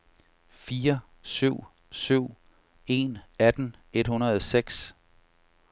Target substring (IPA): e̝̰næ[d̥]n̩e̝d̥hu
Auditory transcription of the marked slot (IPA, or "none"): d̥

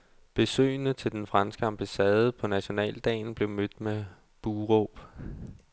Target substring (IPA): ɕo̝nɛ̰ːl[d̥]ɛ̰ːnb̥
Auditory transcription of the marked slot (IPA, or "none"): d̥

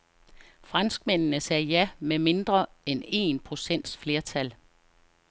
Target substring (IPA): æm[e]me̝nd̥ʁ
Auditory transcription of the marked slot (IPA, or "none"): e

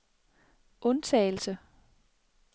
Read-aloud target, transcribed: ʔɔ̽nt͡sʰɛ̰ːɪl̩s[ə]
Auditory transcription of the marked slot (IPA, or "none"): ə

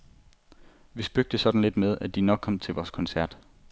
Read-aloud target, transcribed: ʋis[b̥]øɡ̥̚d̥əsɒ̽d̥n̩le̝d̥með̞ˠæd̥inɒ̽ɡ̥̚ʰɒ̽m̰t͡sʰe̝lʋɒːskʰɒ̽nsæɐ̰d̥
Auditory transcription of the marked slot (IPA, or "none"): b̥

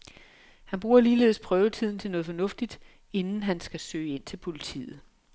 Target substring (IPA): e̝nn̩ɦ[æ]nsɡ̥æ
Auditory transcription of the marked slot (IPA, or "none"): æ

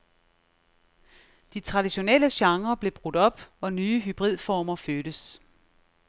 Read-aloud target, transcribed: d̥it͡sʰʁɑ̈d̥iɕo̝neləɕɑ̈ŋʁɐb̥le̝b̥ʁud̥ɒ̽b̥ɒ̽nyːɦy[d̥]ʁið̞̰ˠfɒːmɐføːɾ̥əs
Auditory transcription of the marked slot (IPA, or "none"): b̥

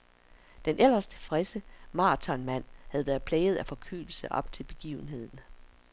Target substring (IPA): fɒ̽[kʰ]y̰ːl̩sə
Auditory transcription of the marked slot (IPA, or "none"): kʰ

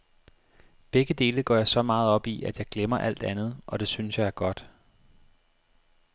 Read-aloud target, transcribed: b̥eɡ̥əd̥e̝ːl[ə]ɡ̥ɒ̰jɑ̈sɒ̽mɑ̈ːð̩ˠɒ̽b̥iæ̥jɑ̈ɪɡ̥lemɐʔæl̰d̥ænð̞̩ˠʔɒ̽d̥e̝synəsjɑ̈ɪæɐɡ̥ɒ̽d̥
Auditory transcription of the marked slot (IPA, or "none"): ə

